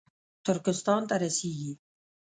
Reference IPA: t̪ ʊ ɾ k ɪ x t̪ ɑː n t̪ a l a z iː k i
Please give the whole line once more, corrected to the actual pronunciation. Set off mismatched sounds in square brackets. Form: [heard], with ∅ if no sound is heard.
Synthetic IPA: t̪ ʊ ɾ k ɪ [s] t̪ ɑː n t̪ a [ɾ] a [s] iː [ɡ] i